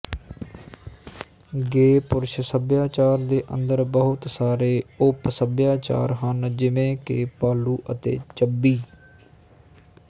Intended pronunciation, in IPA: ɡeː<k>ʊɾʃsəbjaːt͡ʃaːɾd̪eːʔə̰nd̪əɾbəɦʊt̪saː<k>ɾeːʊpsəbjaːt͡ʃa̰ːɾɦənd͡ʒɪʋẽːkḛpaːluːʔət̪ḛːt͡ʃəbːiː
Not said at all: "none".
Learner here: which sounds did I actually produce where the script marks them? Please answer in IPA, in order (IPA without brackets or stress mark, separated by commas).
p, none